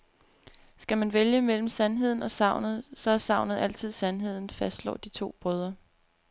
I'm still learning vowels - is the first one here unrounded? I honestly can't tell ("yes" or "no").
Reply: yes